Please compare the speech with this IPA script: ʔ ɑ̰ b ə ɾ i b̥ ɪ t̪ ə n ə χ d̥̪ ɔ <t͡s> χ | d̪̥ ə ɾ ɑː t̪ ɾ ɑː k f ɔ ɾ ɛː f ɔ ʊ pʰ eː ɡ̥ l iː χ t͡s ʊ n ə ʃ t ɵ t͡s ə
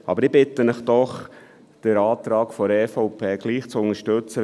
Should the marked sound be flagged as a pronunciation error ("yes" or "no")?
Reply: yes